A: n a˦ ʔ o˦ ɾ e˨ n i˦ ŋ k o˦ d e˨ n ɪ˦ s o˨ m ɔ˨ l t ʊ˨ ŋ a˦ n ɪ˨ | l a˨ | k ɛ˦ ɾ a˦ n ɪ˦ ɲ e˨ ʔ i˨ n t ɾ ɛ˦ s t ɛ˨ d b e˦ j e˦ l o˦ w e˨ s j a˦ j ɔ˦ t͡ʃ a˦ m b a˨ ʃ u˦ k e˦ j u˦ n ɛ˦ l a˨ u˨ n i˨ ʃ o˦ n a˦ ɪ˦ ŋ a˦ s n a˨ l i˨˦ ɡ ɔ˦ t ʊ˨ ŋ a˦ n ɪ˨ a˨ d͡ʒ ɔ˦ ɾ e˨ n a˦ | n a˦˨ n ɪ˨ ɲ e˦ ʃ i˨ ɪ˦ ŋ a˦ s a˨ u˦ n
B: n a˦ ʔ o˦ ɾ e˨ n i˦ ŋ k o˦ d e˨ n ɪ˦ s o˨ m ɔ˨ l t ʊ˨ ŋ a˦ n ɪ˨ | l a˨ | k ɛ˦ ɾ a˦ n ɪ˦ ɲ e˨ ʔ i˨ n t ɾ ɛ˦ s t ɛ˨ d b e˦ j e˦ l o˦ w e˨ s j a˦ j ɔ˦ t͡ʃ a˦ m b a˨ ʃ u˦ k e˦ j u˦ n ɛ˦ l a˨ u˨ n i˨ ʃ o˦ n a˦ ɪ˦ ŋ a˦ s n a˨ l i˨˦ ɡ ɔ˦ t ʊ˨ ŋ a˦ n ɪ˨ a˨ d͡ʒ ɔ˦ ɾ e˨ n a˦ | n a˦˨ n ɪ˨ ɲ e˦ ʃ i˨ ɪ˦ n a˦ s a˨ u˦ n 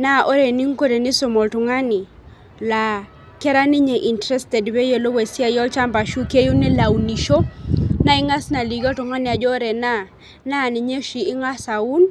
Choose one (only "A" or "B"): A